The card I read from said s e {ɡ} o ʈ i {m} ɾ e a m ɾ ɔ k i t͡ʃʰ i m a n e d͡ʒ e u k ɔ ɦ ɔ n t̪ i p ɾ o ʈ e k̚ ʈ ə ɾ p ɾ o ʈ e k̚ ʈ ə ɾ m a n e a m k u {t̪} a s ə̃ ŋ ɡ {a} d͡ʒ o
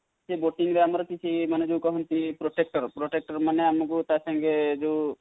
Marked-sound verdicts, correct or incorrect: incorrect, incorrect, correct, incorrect

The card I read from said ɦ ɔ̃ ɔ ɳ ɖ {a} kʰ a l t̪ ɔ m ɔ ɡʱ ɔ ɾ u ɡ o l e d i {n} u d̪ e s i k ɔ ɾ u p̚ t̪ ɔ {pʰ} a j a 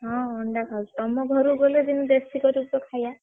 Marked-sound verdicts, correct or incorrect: correct, correct, incorrect

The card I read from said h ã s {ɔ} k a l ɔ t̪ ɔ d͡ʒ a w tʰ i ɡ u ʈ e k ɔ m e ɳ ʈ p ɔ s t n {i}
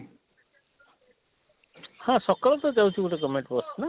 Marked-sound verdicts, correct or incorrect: correct, incorrect

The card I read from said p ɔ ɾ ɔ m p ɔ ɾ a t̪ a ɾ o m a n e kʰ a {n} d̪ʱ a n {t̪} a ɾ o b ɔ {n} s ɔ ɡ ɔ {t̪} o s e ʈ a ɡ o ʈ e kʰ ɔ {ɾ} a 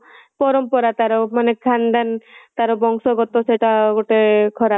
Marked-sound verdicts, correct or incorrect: correct, correct, incorrect, correct, correct

